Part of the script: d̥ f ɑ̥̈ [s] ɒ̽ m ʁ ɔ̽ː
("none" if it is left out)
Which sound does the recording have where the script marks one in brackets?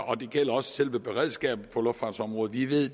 s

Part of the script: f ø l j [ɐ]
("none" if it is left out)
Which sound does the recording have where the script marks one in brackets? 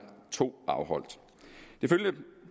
ə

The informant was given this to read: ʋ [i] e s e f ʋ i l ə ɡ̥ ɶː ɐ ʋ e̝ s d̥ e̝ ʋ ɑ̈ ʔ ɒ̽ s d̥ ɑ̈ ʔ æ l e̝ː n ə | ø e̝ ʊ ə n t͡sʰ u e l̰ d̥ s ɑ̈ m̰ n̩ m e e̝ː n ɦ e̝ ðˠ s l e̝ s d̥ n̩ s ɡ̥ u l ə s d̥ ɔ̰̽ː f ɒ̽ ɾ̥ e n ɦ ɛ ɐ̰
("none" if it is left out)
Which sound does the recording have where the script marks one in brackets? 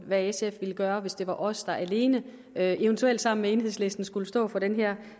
æ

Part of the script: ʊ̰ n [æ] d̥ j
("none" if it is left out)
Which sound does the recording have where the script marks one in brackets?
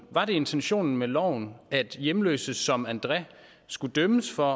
æ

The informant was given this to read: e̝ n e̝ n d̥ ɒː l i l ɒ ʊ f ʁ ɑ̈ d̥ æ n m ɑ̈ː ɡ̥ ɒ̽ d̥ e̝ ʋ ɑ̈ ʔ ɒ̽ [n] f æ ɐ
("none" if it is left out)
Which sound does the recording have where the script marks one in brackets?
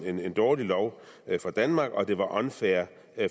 n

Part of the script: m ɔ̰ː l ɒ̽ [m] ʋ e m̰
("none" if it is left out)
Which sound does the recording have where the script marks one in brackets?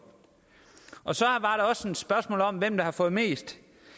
m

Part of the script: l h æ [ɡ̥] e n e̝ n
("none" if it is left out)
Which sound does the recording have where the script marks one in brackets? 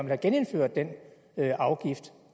ɡ̥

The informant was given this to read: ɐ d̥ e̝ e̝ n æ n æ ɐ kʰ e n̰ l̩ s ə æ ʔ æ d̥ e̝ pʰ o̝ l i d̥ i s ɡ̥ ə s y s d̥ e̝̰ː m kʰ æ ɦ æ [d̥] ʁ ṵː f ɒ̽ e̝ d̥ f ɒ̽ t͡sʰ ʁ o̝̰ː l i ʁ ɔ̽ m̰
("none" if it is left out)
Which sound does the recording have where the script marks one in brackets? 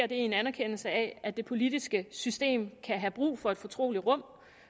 b̥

